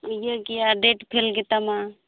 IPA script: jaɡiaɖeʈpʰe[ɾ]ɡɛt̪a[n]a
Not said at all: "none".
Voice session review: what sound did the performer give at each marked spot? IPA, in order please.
l, m

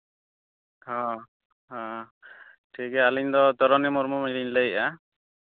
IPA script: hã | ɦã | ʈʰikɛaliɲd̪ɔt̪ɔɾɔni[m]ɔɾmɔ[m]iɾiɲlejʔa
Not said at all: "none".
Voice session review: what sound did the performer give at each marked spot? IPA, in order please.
m, m

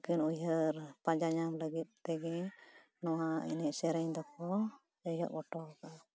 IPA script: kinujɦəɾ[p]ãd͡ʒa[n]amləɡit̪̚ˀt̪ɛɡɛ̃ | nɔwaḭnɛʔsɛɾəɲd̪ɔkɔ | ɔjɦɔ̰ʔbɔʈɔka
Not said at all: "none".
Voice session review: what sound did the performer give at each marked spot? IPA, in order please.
p, ɲ

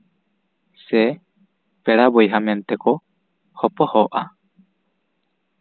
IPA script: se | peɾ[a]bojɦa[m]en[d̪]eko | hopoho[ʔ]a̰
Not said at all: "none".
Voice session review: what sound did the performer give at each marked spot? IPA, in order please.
a, m, t̪, ʔ

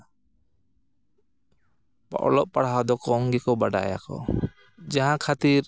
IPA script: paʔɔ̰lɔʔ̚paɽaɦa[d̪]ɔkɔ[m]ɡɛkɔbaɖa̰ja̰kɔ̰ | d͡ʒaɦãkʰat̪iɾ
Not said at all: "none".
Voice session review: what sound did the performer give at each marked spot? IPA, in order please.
d̪, ŋ

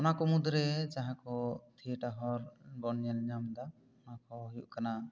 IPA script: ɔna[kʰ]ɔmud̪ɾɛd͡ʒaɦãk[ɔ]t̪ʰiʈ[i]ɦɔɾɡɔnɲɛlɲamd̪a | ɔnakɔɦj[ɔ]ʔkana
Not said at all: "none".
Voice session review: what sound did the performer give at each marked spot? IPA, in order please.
k, ɔ, a, u

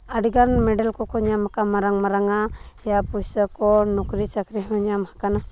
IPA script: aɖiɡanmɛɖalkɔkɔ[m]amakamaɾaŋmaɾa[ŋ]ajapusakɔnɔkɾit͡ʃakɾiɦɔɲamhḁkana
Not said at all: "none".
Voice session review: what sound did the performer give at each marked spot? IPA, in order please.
ɲ, ŋ

